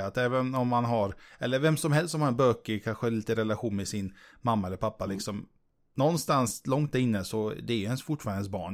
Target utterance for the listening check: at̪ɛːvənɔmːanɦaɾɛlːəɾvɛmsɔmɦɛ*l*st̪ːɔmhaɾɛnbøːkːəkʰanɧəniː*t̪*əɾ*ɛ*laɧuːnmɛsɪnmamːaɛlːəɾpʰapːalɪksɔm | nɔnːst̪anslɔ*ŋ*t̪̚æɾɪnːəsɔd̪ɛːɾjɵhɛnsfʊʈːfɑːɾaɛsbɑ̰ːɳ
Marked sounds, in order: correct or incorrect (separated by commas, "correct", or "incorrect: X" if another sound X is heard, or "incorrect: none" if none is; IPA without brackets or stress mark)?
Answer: correct, correct, correct, correct